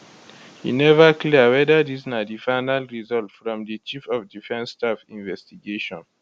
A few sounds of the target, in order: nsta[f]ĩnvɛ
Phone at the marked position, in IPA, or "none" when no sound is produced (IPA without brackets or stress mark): f